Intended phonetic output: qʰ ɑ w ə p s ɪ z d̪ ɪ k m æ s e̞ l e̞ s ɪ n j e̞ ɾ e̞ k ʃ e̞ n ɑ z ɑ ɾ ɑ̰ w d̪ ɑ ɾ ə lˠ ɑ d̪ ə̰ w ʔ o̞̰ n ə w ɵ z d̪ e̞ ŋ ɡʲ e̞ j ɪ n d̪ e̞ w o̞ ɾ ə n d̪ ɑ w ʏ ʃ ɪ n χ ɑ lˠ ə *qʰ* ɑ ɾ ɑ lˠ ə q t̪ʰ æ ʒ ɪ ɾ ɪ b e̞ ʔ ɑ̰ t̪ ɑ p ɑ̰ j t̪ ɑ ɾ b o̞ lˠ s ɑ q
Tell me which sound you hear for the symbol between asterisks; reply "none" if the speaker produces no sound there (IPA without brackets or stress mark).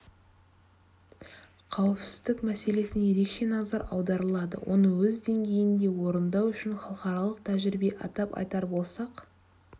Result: q